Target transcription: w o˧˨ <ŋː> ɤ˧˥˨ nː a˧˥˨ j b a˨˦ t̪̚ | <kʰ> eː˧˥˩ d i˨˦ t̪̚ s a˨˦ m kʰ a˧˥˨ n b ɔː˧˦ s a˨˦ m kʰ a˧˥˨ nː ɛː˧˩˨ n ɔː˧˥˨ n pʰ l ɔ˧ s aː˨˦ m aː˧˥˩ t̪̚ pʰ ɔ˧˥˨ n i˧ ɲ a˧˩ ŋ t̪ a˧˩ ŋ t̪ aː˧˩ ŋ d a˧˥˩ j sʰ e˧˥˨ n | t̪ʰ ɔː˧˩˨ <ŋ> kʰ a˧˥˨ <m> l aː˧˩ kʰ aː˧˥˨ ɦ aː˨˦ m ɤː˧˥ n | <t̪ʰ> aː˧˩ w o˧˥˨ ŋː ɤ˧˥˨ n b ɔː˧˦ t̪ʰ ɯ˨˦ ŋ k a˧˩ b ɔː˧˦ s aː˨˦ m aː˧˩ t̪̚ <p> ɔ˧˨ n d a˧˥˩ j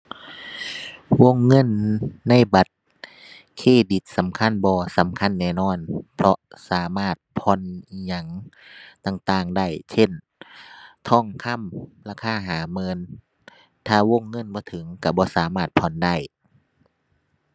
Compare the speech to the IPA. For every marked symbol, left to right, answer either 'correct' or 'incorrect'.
correct, correct, correct, correct, correct, incorrect: pʰ

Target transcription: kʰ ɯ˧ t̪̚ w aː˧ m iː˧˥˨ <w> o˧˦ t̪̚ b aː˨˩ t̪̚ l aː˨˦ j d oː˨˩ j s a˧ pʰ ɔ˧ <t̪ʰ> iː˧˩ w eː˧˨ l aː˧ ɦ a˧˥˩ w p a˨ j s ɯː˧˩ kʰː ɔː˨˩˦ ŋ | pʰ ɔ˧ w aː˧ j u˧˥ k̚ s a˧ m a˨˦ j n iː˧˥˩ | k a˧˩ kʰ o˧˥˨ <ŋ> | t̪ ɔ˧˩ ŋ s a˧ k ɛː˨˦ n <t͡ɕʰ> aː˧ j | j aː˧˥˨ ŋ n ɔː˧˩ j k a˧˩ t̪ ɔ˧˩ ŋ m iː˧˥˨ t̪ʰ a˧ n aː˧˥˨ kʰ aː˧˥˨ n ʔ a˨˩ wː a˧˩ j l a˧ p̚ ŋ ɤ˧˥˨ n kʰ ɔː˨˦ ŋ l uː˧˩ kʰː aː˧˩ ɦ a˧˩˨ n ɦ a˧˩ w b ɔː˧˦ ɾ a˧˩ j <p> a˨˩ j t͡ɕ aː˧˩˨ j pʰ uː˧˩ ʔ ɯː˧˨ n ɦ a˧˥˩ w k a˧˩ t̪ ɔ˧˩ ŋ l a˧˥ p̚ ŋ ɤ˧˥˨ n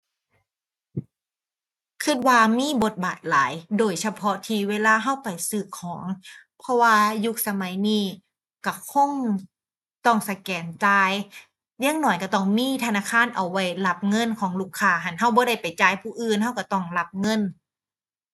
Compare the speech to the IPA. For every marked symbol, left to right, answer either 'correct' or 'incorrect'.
incorrect: b, correct, correct, incorrect: t͡ɕ, correct

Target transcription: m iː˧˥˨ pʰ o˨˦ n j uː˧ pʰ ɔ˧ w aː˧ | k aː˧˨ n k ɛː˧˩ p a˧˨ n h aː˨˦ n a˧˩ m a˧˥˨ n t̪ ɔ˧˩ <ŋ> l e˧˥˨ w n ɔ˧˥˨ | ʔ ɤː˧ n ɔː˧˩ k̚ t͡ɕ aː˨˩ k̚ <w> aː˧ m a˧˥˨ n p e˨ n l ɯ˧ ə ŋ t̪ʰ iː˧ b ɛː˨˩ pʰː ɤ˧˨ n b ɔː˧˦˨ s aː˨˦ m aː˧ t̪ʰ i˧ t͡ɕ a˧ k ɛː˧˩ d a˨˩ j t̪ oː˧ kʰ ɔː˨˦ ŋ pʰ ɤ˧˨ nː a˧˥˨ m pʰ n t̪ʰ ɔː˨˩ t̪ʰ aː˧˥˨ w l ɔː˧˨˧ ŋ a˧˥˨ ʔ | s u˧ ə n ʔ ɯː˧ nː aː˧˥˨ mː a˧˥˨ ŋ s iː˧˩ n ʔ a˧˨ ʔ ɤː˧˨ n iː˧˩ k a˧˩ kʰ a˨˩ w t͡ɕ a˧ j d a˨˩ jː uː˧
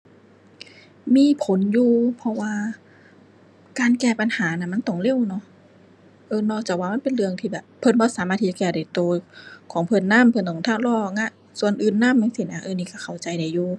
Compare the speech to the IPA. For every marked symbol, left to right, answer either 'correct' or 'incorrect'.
correct, correct

